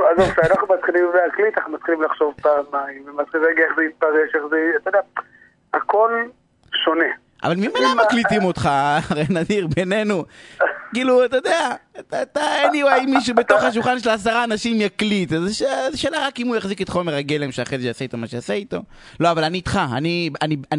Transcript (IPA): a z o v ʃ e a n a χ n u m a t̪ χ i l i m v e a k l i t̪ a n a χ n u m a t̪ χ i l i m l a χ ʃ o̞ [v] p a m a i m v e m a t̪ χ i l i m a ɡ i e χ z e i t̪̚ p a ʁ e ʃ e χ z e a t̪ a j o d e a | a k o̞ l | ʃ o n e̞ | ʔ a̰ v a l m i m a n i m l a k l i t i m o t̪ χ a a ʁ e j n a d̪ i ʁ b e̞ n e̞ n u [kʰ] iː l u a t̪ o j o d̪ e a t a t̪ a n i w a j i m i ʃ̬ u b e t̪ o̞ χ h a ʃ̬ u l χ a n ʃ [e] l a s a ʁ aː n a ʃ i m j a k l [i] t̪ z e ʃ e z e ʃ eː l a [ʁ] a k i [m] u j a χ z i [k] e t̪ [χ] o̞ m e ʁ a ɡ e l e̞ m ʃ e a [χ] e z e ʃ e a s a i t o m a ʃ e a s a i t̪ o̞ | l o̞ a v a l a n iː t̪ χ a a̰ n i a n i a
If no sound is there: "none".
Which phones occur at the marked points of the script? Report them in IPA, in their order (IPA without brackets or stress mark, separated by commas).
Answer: v, k, e, i, ʁ, m, k, χ, χ